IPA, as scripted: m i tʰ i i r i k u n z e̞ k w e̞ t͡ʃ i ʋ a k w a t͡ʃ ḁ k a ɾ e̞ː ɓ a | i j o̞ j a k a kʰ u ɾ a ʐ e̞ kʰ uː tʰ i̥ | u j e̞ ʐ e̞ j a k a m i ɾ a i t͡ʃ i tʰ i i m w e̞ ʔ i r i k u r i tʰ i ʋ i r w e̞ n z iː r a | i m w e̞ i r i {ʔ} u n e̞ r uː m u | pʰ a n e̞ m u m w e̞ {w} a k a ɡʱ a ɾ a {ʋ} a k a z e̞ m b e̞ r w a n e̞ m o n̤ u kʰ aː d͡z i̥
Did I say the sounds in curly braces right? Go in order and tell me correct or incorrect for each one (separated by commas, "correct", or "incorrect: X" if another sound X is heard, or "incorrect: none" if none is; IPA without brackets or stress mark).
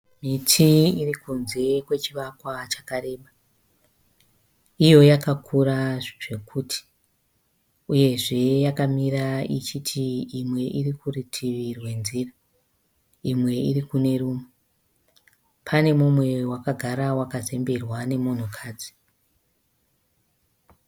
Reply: incorrect: k, correct, incorrect: w